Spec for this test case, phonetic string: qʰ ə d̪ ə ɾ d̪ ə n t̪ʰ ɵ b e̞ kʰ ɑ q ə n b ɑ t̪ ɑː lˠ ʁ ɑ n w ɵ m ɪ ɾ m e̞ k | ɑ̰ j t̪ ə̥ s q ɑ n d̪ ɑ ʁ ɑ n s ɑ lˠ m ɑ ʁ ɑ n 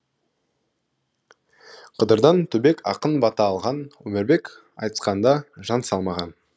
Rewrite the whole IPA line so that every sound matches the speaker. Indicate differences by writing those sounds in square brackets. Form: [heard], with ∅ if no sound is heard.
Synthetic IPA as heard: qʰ ə d̪ ə ɾ d̪ [ɑ] n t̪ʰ ɵ b e̞ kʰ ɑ q ə n b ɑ t̪ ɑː lˠ ʁ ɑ n w ɵ m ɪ ɾ [b] e̞ k | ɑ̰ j t̪ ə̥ s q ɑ n d̪ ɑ [ʒ] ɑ n s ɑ lˠ m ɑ ʁ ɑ n